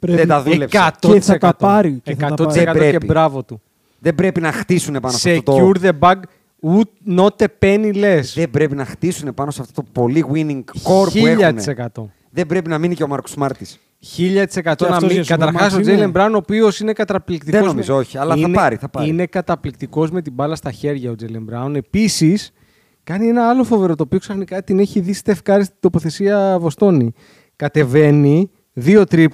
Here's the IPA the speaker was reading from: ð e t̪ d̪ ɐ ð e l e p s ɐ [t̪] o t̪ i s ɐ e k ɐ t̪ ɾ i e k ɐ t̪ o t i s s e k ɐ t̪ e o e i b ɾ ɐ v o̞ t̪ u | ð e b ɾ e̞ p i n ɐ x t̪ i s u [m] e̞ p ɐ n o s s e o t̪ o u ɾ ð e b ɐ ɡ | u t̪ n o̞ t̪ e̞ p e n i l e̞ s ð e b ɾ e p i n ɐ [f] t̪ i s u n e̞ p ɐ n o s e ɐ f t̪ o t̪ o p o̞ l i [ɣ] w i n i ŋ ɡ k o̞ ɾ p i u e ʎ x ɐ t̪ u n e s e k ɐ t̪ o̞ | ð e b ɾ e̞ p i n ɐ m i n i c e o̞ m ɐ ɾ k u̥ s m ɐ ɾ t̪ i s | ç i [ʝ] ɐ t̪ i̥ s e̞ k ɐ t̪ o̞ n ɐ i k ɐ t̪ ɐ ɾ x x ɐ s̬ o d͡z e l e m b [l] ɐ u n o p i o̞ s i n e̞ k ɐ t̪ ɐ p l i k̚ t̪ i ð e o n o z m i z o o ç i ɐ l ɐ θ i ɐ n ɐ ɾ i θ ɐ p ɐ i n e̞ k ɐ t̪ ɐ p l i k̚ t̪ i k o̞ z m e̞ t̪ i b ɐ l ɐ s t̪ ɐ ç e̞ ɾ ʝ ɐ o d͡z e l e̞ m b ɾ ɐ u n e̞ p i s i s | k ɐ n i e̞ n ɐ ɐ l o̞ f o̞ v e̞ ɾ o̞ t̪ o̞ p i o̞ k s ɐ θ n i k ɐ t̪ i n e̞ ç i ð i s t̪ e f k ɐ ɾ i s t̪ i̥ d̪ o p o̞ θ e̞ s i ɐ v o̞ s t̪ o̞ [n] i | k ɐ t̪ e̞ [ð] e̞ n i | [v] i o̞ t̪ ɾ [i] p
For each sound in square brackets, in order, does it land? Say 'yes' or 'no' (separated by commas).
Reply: yes, no, no, yes, no, no, yes, no, no, yes